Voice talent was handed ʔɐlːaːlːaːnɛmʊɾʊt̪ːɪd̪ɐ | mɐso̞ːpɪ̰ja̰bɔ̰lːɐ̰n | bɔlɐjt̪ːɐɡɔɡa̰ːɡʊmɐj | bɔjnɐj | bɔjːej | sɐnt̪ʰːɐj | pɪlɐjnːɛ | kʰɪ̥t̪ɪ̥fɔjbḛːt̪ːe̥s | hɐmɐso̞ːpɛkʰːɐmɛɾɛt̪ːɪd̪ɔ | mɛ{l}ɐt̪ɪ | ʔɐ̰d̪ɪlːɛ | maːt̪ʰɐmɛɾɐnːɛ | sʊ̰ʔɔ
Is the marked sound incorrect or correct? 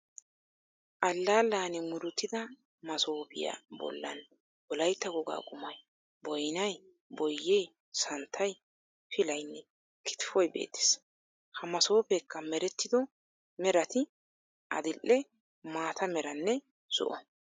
incorrect